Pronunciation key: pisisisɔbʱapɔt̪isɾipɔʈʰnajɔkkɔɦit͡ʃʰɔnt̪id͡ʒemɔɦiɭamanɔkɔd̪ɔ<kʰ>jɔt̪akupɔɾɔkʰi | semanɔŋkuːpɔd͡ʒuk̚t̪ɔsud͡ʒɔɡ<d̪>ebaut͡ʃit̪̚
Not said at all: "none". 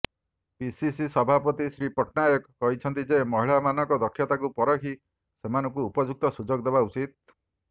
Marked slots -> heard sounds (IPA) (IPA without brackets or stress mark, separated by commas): kʰ, d̪